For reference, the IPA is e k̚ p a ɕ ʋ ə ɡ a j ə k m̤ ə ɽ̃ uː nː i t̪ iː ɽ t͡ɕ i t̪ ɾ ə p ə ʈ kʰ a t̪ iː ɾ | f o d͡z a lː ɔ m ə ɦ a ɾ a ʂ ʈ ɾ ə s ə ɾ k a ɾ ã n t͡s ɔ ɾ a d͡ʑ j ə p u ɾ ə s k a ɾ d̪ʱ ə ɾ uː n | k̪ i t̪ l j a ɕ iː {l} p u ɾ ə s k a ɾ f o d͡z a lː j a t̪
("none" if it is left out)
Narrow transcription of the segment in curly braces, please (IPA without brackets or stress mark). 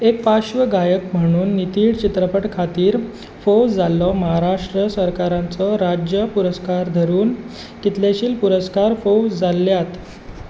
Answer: l